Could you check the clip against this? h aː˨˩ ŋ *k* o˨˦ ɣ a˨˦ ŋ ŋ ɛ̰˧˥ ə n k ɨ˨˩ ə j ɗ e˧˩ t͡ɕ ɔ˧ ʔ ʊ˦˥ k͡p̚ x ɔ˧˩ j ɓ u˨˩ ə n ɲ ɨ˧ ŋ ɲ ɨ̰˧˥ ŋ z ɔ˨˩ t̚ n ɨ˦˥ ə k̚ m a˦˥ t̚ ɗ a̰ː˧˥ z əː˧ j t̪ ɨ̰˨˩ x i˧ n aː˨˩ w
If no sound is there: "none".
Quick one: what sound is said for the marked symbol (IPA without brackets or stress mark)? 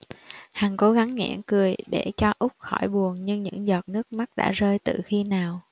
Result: k